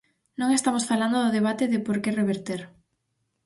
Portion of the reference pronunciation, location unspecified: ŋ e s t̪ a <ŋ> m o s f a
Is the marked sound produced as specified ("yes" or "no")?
no